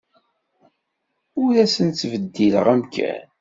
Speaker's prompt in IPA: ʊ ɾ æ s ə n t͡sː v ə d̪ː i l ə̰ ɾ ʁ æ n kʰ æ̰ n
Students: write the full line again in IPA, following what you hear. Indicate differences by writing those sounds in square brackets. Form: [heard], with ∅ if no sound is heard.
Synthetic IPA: ʊ ɾ æ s ə n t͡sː v ə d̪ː i l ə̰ [∅] ʁ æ [m] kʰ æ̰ n